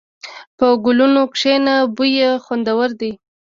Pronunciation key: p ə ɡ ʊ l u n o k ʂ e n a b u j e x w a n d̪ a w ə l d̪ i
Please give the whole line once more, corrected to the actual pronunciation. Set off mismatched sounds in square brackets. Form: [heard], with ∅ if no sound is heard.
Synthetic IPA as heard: p ə ɡ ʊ l u n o k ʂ e n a b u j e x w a n d̪ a w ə [ɾ] d̪ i